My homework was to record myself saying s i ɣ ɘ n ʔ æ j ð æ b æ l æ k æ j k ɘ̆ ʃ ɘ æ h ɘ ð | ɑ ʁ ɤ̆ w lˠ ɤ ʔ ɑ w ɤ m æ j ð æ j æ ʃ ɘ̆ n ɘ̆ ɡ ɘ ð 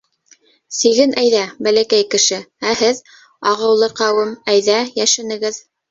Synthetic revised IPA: s i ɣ ɘ n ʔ æ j ð æ b æ l æ k æ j k ɘ̆ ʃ ɘ æ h ɘ ð | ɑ ʁ ɤ̆ w lˠ ɤ q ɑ w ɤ m æ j ð æ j æ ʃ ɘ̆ n ɘ̆ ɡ ɘ ð